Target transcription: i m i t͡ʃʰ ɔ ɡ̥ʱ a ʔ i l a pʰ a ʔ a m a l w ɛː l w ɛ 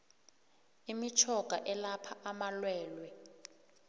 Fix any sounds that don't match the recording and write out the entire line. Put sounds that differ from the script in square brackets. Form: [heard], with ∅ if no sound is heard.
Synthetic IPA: i m i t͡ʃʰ ɔ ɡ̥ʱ a ʔ [ɛ] l a pʰ a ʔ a m a l w ɛː l w ɛ